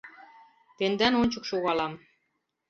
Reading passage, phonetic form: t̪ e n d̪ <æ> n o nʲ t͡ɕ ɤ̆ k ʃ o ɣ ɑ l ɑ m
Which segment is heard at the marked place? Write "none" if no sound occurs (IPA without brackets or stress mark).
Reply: æ